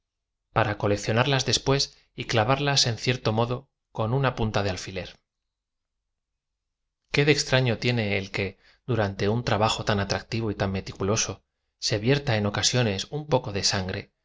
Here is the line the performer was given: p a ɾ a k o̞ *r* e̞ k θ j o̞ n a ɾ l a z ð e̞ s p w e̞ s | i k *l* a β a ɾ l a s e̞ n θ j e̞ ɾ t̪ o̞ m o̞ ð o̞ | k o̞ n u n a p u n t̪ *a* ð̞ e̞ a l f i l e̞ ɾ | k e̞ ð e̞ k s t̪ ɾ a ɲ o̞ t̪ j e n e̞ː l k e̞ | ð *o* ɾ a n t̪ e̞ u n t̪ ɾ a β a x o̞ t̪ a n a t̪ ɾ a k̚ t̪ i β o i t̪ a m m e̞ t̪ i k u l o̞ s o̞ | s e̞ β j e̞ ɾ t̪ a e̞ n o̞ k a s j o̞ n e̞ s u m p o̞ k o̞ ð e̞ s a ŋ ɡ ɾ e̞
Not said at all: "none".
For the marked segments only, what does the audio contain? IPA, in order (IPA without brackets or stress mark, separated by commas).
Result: l, l, a, u